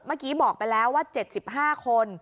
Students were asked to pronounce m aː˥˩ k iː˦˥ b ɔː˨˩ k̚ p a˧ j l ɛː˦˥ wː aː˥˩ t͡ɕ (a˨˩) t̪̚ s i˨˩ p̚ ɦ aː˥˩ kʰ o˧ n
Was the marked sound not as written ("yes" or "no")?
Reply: yes